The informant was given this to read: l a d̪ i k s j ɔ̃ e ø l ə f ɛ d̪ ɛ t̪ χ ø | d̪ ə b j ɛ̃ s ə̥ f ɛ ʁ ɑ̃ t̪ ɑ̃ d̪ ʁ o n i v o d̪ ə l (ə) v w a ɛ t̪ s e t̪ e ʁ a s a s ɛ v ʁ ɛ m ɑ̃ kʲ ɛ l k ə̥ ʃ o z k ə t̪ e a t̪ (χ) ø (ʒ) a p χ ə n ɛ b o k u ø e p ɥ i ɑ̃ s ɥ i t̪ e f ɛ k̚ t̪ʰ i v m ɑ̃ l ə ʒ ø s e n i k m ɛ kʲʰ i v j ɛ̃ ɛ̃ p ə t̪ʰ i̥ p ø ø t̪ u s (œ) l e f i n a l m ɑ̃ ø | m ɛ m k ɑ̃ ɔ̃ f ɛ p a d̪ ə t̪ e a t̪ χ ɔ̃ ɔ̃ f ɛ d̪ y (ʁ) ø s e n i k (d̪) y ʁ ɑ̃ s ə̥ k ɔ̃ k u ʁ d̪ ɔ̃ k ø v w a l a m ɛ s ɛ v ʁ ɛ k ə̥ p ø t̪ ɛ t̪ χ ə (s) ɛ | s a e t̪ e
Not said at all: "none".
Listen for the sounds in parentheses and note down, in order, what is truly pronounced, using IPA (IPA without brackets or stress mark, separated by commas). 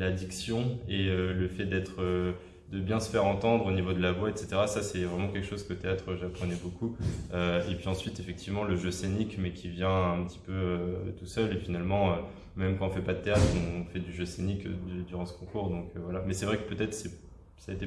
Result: a, χ, ʒ, œ, ʒ, d̪, s